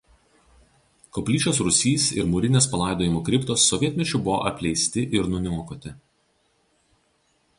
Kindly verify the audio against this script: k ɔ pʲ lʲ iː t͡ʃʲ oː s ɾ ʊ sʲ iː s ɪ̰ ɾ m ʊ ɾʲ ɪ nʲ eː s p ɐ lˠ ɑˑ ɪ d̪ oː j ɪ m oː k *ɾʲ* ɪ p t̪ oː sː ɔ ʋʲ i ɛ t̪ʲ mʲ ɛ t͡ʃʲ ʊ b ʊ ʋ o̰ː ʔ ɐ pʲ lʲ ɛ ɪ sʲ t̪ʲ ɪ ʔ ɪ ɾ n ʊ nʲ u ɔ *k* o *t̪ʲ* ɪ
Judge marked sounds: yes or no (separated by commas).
yes, yes, yes